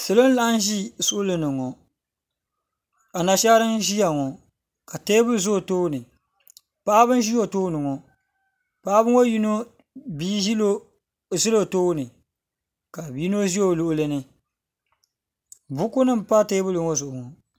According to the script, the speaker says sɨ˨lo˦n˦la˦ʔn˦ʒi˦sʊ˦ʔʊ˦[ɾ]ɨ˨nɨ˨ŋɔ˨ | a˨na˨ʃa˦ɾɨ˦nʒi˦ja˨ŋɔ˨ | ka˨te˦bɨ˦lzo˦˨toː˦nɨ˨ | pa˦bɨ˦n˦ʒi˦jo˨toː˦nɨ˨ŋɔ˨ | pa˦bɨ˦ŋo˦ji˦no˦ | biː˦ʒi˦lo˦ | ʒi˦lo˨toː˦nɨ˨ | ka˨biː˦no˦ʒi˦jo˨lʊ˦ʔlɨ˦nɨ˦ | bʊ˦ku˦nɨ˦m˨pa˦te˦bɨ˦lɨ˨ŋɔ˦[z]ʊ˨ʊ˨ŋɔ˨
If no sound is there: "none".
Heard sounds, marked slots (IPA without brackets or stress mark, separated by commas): l, z